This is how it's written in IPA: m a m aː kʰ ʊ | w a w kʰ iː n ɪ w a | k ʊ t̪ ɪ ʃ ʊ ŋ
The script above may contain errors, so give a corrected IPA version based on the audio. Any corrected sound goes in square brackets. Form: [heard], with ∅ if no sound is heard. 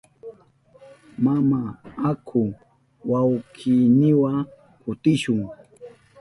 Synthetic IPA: m a m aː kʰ ʊ | w a w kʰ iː n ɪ w a | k ʊ t̪ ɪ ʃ ʊ ŋ